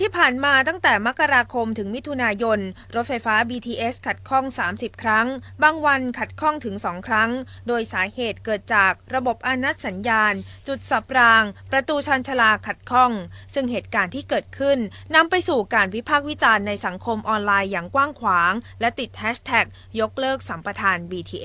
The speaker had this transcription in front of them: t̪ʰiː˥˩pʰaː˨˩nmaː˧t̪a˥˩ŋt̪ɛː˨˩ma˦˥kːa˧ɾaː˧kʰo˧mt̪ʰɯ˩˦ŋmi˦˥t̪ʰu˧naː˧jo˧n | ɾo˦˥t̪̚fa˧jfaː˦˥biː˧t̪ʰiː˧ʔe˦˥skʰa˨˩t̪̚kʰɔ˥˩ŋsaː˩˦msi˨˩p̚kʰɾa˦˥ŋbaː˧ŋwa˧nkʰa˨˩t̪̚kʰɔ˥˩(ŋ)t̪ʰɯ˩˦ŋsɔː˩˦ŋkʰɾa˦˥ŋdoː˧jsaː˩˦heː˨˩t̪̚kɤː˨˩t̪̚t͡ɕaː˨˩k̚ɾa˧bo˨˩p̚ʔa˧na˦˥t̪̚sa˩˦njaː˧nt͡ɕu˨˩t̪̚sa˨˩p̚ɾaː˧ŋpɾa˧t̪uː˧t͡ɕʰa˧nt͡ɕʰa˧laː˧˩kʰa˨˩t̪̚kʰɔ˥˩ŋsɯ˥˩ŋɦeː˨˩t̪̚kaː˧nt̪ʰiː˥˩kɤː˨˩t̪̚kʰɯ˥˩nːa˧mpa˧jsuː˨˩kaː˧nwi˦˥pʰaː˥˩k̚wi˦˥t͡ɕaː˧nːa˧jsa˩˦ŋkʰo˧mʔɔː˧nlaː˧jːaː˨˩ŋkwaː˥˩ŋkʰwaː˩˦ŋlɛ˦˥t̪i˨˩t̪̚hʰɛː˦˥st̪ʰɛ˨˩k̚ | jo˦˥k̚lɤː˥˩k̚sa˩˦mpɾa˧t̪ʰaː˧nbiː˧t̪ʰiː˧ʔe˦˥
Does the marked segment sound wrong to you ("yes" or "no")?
no